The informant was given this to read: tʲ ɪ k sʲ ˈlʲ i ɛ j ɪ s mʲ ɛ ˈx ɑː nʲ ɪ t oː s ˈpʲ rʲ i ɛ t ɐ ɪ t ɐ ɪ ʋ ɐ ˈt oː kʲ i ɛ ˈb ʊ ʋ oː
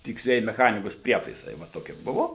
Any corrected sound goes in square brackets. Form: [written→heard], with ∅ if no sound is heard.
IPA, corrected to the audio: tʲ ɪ k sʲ ˈlʲ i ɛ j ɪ [s→∅] mʲ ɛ ˈx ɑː nʲ ɪ [t→k] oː s ˈpʲ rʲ i ɛ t ɐ ɪ [t→s] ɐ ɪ ʋ ɐ ˈt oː kʲ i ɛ ˈb ʊ ʋ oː